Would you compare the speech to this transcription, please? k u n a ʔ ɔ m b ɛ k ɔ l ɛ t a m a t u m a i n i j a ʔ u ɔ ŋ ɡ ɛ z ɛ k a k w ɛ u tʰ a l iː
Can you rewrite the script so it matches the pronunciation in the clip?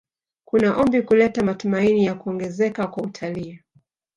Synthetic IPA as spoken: k u n a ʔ ɔ m b i k u l ɛ t a m a t u m a i n i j a k u ɔ ŋ ɡ ɛ z ɛ k a k w a u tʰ a l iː